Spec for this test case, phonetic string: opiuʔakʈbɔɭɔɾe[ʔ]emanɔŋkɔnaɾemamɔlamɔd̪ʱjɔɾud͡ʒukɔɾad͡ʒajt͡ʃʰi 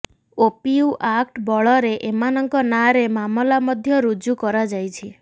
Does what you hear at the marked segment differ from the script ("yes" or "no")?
no